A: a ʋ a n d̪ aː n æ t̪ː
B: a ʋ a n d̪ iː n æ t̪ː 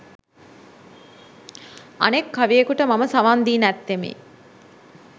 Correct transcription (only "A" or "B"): B